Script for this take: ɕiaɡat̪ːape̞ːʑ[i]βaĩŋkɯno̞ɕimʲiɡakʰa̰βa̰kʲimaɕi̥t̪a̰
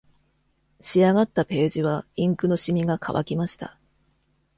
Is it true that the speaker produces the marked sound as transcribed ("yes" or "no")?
yes